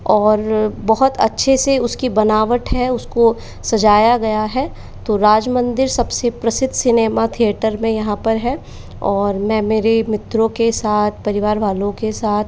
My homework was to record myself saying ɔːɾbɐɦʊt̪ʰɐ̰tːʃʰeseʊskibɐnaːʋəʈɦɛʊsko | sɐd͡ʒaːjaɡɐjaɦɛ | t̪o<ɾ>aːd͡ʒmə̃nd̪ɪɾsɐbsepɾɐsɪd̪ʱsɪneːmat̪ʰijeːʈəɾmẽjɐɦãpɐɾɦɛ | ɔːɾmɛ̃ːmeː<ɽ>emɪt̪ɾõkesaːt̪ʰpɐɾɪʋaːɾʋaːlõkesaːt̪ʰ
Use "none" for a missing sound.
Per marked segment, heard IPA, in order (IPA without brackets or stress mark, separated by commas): ɾ, ɾ